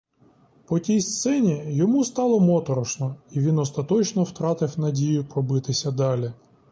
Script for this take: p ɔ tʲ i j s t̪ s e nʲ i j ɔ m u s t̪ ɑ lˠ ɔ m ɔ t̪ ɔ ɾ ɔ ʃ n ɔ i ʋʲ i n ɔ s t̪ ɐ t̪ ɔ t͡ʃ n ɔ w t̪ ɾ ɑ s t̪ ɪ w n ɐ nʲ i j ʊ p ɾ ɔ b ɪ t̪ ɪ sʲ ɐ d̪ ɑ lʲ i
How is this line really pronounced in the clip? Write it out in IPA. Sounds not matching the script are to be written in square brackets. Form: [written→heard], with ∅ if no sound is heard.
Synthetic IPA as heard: p ɔ tʲ i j s t̪ s [e→ɛ] nʲ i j ɔ m u s t̪ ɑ lˠ ɔ m ɔ t̪ ɔ ɾ ɔ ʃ n ɔ i ʋʲ i n ɔ s t̪ ɐ t̪ ɔ t͡ʃ n ɔ w t̪ ɾ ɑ [s→∅] t̪ ɪ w n ɐ [nʲ→dʲ] i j ʊ p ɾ ɔ b ɪ t̪ ɪ sʲ ɐ d̪ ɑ lʲ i

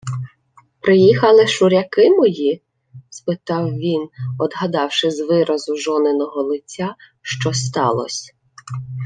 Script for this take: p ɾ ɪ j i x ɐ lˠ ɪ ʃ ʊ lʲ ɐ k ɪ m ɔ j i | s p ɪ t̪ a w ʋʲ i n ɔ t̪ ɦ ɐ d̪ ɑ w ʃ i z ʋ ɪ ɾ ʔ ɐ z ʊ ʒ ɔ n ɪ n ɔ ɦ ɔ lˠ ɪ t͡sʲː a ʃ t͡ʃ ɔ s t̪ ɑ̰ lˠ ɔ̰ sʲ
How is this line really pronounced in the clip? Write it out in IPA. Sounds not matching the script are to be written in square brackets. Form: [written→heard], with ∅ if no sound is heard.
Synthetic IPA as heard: p ɾ ɪ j i x ɐ lˠ ɪ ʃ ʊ [lʲ→ɾʲ] ɐ k ɪ m ɔ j i | s p ɪ t̪ [a→ɑ] w ʋʲ i n ɔ [t̪→d̪] ɦ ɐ d̪ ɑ w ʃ [i→ɪ] z ʋ ɪ ɾ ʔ ɐ z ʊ ʒ ɔ n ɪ n ɔ ɦ ɔ lˠ ɪ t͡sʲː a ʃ t͡ʃ ɔ s t̪ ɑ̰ lˠ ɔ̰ sʲ

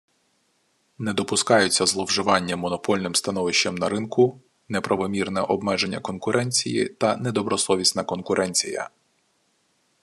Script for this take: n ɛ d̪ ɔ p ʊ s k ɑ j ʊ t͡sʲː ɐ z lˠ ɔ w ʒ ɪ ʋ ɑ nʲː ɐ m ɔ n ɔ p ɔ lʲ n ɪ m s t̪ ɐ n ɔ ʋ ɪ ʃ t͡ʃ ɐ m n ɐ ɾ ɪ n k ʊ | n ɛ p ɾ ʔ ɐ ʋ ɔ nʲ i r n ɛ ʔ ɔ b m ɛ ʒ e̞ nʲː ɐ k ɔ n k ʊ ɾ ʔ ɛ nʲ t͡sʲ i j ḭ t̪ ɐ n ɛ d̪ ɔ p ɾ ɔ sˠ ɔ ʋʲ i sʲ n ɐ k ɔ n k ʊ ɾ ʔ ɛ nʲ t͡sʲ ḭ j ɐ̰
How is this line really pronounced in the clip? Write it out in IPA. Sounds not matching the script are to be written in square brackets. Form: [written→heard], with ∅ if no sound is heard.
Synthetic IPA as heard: n ɛ d̪ ɔ p ʊ s k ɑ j ʊ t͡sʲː ɐ z lˠ ɔ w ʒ ɪ ʋ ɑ nʲː ɐ m ɔ n ɔ p ɔ lʲ n ɪ m s t̪ ɐ n ɔ ʋ ɪ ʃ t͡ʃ ɐ m n ɐ ɾ ɪ n k ʊ | n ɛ p ɾ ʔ ɐ ʋ ɔ [nʲ→mʲ] i r n ɛ ʔ ɔ b m ɛ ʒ e̞ nʲː ɐ k ɔ n k ʊ ɾ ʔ ɛ nʲ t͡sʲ i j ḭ t̪ ɐ n ɛ d̪ ɔ [p→b] ɾ ɔ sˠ ɔ ʋʲ i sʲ n ɐ k ɔ n k ʊ ɾ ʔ ɛ nʲ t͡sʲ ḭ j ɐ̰

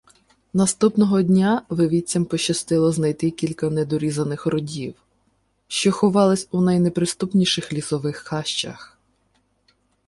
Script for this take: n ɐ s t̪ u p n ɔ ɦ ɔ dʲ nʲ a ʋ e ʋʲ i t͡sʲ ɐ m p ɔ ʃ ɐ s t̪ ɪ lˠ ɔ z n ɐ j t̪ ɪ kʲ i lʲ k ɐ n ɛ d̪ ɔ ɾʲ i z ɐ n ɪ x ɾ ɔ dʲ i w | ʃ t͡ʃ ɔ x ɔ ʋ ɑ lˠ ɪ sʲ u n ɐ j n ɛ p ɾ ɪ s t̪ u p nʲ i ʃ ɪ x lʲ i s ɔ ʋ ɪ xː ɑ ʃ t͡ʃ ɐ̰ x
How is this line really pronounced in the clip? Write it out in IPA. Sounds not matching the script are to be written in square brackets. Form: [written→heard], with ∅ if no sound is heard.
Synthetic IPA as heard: n ɐ s t̪ u p n ɔ ɦ ɔ dʲ nʲ a ʋ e ʋʲ i t͡sʲ ɐ m p ɔ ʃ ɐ s t̪ ɪ lˠ ɔ z n ɐ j t̪ ɪ kʲ i lʲ k ɐ n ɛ d̪ ɔ ɾʲ i z ɐ n ɪ x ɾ ɔ dʲ i w | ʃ t͡ʃ ɔ x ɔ ʋ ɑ lˠ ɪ sʲ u n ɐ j n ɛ p ɾ ɪ s t̪ u p nʲ i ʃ ɪ x lʲ i s ɔ ʋ ɪ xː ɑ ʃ t͡ʃ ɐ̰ x

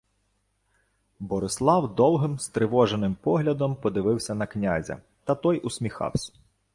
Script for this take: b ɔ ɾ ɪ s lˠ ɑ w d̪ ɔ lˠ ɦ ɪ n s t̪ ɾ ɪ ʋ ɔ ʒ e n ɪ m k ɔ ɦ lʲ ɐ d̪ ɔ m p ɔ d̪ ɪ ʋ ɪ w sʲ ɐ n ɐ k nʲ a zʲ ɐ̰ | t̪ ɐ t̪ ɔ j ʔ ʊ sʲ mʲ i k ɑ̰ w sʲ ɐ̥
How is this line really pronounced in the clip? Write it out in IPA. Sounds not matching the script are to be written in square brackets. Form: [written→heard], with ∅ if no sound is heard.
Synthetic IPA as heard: b ɔ ɾ ɪ s lˠ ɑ w d̪ ɔ lˠ ɦ ɪ [n→m] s t̪ ɾ ɪ ʋ ɔ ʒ e n ɪ m [k→p] ɔ ɦ lʲ ɐ d̪ ɔ m p ɔ d̪ ɪ ʋ ɪ w sʲ ɐ n ɐ k nʲ a zʲ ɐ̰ | t̪ ɐ t̪ ɔ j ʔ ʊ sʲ mʲ i [k→x] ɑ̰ w sʲ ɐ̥

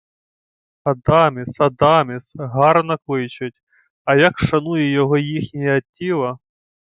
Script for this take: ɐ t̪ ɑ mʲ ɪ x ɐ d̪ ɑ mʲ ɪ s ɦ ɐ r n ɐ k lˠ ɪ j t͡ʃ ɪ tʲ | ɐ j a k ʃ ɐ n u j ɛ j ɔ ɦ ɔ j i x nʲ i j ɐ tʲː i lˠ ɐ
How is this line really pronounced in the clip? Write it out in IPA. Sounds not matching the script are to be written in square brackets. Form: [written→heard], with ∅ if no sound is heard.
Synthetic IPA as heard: ɐ [t̪→d̪] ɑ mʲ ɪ [x→s] ɐ d̪ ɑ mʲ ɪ s ɦ [ɐ→ɑ] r n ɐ k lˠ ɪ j t͡ʃ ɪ tʲ | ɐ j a k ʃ ɐ n u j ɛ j ɔ ɦ ɔ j i x nʲ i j ɐ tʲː i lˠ ɐ

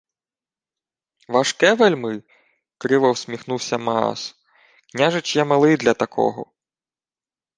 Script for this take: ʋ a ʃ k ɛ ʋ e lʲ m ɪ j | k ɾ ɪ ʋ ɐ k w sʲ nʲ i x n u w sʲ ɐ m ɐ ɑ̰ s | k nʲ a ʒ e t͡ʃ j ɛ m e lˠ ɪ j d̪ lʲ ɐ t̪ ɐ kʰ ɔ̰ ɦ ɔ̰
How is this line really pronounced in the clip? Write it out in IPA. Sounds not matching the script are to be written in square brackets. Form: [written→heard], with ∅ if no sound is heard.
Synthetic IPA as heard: ʋ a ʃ k ɛ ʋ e lʲ m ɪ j | k ɾ ɪ ʋ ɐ [k→∅] w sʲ [nʲ→mʲ] i x n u w sʲ ɐ m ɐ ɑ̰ s | k nʲ a ʒ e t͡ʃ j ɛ m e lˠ ɪ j d̪ lʲ ɐ t̪ ɐ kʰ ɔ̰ ɦ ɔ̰

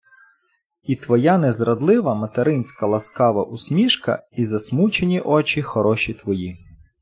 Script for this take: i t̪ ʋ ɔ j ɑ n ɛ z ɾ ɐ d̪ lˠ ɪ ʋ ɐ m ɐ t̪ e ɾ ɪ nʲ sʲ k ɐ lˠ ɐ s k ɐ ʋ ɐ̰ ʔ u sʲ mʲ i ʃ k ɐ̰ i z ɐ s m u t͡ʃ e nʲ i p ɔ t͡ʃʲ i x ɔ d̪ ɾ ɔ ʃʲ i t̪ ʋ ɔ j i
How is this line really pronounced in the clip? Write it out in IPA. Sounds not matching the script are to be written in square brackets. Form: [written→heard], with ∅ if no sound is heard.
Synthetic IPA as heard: i t̪ ʋ ɔ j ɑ n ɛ z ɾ ɐ d̪ lˠ ɪ ʋ ɐ m ɐ t̪ e ɾ ɪ nʲ sʲ k ɐ lˠ ɐ s k [ɐ→ɑ] ʋ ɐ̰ ʔ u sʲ mʲ i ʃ k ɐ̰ i z ɐ s m u t͡ʃ e nʲ i [p→ʔ] ɔ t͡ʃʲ i x ɔ [d̪→∅] ɾ ɔ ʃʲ i t̪ ʋ ɔ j i

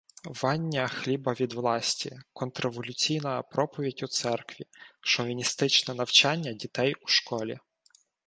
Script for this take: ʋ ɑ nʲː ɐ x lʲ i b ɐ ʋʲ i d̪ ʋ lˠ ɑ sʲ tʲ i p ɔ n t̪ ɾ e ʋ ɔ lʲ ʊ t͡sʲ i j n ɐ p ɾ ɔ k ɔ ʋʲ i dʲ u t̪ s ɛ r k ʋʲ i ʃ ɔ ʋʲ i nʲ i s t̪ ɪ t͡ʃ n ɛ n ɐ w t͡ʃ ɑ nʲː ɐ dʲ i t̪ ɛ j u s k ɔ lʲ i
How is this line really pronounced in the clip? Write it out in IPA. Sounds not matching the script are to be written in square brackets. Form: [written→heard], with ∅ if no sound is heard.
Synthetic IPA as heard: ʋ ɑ nʲː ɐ x lʲ i b ɐ ʋʲ i d̪ ʋ lˠ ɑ sʲ tʲ i [p→k] ɔ n t̪ ɾ e ʋ ɔ lʲ ʊ t͡sʲ i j n ɐ p ɾ ɔ [k→p] ɔ ʋʲ i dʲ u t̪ s ɛ r k ʋʲ i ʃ ɔ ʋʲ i nʲ i s t̪ ɪ t͡ʃ n ɛ n ɐ w t͡ʃ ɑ nʲː ɐ dʲ i t̪ ɛ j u [s→ʃ] k ɔ lʲ i

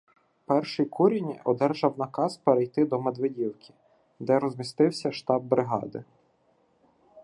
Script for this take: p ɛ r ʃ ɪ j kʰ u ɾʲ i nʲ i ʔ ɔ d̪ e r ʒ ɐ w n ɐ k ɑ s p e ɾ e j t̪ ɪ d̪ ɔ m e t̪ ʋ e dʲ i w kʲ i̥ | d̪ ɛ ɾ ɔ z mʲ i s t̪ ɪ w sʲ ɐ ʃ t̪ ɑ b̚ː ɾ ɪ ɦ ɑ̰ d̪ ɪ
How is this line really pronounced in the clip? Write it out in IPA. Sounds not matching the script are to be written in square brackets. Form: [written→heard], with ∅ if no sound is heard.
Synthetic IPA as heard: p ɛ r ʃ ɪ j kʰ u ɾʲ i nʲ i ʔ ɔ d̪ [e→ɛ] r ʒ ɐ w n ɐ k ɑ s p e ɾ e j t̪ ɪ d̪ ɔ m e [t̪→d̪] ʋ e dʲ i w kʲ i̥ | d̪ ɛ ɾ ɔ z mʲ i s t̪ ɪ w sʲ ɐ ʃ t̪ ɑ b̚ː ɾ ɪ ɦ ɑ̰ d̪ ɪ

